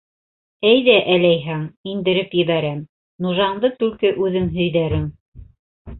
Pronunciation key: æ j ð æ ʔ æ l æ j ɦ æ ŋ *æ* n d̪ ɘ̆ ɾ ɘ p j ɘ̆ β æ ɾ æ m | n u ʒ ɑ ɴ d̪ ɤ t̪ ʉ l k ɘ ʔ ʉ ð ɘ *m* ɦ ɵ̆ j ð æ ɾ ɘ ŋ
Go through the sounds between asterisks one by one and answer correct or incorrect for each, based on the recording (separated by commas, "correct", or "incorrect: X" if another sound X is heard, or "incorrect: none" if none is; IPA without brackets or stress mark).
incorrect: i, incorrect: ŋ